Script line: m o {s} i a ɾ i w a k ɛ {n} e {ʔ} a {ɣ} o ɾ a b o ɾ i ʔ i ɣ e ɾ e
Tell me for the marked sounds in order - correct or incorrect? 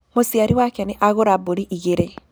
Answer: correct, correct, correct, correct

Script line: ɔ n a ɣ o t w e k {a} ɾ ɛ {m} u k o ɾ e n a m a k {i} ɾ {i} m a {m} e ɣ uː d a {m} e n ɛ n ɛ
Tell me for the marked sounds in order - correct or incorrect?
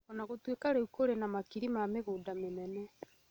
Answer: correct, incorrect, correct, correct, correct, correct

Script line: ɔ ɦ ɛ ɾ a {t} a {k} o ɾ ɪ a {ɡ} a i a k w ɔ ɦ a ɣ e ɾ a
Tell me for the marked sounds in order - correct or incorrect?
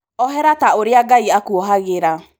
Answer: correct, incorrect, correct

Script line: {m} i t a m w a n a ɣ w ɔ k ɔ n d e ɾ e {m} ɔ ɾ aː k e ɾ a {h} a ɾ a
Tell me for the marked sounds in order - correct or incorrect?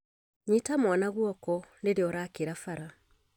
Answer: incorrect, incorrect, incorrect

